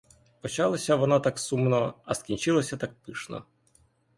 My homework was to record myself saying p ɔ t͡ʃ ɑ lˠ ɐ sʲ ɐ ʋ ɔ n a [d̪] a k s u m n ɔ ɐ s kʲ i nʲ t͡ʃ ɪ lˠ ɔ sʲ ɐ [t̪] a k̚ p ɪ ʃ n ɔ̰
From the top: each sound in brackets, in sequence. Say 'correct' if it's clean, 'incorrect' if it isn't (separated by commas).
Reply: incorrect, correct